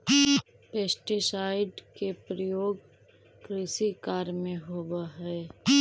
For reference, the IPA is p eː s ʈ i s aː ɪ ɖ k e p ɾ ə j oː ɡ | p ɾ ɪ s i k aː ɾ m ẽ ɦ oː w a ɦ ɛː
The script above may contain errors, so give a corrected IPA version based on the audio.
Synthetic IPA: p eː s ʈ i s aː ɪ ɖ k e p ɾ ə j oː ɡ | k ɾ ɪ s i k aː ɾ m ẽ ɦ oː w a ɦ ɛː